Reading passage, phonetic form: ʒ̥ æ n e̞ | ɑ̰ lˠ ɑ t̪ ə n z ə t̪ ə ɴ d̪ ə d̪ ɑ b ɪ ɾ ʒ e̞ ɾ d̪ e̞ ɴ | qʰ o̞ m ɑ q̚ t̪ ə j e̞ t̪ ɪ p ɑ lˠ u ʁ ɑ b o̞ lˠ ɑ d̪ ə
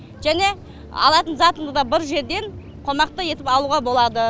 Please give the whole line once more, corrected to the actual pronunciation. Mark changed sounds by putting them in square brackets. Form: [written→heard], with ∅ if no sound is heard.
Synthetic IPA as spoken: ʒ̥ æ n e̞ | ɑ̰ lˠ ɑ t̪ ə n z [ə→ɑ] t̪ ə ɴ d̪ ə d̪ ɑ b ɪ ɾ ʒ e̞ ɾ d̪ e̞ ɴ | qʰ o̞ m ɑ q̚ t̪ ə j e̞ t̪ ɪ p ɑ lˠ u ʁ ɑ b o̞ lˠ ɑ d̪ ə